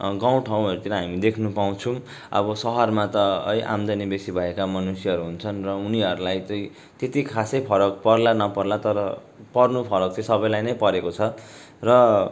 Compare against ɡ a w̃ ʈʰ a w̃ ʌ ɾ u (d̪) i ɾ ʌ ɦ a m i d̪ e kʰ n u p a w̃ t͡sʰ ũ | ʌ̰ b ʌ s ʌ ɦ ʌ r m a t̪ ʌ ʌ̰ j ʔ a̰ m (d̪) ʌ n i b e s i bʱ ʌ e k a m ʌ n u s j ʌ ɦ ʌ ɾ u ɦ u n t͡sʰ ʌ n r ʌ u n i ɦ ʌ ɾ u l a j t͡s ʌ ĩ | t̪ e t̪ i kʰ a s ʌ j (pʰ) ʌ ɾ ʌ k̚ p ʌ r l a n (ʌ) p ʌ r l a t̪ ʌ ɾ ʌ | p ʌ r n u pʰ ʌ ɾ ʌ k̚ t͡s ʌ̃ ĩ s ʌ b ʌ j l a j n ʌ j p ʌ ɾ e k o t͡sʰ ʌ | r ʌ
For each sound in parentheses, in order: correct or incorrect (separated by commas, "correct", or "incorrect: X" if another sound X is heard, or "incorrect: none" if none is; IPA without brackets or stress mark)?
incorrect: t̪, correct, correct, correct